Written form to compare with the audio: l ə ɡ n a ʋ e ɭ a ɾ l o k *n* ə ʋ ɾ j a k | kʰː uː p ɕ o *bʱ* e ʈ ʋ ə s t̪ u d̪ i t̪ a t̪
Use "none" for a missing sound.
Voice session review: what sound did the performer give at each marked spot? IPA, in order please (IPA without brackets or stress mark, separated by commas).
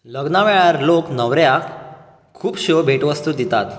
n, bʱ